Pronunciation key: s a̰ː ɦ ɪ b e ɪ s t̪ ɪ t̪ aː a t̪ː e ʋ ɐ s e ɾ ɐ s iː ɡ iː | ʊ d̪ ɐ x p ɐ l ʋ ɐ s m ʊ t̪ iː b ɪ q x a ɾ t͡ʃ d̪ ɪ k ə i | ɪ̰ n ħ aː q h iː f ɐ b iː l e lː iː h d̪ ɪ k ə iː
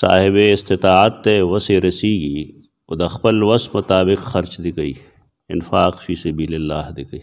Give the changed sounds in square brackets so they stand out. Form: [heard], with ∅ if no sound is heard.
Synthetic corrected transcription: s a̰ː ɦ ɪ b e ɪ s t̪ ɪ t̪ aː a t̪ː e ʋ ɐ s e ɾ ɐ s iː ɡ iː | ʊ d̪ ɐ x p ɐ l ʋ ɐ s m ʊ t̪ [aː] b ɪ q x [ɐ] ɾ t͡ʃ d̪ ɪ k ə i | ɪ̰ n [f] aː q [f] iː [s] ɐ b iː l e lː [aː] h d̪ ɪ k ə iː